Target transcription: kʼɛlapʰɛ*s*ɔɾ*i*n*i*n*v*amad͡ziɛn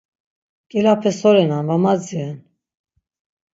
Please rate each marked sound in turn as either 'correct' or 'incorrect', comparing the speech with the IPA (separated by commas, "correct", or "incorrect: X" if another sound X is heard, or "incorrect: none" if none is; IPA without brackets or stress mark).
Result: correct, incorrect: ɛ, incorrect: a, correct